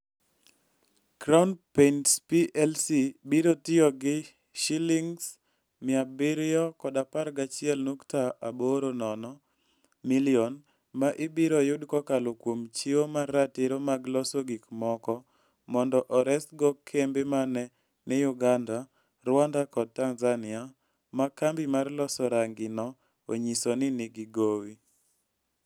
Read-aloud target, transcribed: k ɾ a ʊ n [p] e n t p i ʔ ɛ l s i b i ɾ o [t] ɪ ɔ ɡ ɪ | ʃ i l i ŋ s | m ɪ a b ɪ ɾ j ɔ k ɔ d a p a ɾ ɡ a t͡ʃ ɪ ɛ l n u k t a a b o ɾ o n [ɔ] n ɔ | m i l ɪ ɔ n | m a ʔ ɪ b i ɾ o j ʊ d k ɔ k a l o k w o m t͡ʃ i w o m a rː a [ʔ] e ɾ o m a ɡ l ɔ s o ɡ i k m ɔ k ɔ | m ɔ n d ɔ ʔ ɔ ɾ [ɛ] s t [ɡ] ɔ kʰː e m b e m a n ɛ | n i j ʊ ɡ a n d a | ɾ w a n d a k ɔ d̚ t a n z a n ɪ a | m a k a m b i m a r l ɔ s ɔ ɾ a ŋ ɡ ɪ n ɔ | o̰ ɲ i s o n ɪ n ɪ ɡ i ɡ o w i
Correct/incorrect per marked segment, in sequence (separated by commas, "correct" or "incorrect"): correct, correct, correct, incorrect, correct, correct